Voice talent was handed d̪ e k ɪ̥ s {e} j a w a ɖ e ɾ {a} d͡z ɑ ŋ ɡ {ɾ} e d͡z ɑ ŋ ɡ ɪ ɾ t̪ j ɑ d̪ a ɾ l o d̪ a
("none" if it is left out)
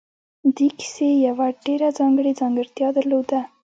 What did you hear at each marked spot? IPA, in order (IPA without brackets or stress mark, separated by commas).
e, a, ɽ